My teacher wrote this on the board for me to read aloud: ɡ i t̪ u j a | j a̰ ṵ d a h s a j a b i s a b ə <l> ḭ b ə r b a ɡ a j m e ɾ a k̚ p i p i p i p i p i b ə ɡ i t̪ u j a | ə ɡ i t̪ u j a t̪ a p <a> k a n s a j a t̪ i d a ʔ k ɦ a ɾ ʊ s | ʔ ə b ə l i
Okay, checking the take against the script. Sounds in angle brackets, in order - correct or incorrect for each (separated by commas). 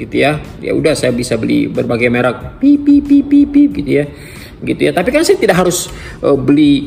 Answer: correct, incorrect